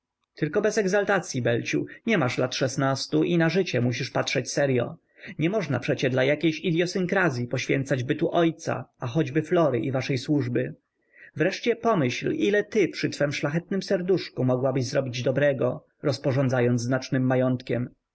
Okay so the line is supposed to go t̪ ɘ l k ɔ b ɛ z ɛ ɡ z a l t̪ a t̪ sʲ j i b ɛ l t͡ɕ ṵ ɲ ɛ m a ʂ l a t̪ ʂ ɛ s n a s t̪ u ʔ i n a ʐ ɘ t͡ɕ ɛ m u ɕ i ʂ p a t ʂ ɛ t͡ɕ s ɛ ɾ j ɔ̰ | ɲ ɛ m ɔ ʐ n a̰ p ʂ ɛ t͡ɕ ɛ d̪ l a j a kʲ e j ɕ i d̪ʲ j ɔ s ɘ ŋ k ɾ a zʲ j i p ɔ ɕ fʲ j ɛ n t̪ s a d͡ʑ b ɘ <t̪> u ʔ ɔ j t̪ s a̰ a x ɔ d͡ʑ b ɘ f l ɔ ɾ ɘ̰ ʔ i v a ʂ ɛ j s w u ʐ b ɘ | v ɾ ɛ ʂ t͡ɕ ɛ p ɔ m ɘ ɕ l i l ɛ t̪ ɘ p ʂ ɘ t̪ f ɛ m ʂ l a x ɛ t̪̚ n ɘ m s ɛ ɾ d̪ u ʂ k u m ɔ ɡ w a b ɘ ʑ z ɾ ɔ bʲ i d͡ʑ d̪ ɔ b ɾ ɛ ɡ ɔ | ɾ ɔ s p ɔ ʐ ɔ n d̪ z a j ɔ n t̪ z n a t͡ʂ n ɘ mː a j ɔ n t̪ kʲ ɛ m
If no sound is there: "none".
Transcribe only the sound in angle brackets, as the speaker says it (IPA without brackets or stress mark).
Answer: t̪